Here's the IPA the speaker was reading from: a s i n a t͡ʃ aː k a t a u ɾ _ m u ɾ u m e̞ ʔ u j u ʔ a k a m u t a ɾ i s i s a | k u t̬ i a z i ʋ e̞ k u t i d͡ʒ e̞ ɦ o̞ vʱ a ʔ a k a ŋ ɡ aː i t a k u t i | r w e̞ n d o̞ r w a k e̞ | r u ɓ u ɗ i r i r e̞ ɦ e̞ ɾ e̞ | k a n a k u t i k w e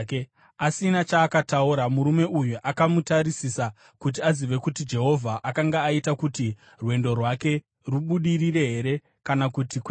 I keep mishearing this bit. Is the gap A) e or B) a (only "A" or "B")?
B